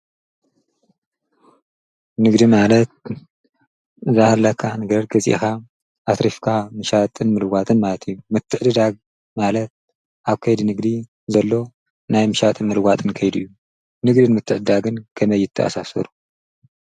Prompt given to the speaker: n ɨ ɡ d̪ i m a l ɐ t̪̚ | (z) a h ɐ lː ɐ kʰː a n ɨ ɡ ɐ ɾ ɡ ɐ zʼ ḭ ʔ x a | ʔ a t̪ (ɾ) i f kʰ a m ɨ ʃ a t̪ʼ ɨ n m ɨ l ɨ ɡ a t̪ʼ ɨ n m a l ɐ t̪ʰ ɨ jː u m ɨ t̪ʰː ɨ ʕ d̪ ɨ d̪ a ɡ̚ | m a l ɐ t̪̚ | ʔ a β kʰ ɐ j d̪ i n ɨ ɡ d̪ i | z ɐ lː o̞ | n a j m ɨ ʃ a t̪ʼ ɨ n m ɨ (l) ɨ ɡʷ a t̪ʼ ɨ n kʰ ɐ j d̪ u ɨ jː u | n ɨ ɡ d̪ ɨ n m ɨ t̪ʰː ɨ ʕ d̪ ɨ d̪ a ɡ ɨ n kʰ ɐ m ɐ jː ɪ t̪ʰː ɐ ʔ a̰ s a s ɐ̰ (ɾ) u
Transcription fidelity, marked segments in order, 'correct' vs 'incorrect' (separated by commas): correct, correct, correct, correct